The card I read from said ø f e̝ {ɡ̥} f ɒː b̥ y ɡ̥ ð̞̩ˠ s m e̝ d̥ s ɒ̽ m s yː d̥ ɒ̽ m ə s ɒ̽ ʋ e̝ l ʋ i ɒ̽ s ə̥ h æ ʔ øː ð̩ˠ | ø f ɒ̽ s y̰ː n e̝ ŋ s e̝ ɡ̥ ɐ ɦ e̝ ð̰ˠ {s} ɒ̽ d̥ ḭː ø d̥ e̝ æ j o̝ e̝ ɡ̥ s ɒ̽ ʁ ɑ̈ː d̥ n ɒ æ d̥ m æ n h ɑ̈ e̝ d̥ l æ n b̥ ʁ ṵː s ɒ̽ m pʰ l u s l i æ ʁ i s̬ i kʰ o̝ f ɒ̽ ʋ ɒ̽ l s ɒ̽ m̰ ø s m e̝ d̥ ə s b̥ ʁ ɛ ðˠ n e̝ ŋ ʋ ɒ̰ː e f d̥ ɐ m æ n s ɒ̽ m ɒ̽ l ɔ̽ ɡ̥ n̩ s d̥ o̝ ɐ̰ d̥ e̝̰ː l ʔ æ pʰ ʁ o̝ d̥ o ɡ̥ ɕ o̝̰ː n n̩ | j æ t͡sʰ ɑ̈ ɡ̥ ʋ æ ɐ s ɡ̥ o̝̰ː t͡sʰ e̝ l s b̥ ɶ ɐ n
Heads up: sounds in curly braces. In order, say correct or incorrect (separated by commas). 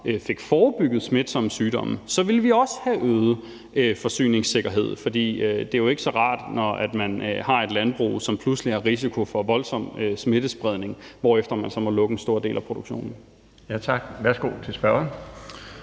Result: correct, incorrect